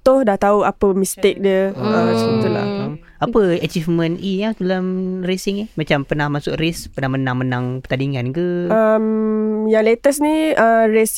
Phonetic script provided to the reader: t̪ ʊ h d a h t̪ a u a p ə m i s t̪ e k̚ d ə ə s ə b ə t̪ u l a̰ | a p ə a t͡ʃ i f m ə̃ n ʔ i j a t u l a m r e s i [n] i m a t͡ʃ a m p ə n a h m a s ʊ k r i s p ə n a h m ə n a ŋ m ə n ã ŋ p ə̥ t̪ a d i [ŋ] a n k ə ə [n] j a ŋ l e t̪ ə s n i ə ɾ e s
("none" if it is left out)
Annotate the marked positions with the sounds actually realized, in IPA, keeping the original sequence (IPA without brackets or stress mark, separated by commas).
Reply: ŋ, ŋ, m